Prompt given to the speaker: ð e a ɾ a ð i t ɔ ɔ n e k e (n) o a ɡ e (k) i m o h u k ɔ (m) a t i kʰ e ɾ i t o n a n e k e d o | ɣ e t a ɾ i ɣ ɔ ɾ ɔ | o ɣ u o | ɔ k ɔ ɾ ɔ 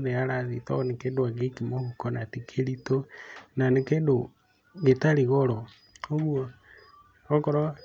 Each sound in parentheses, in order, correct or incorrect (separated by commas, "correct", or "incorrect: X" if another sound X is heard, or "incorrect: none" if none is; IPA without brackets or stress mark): incorrect: d, correct, incorrect: n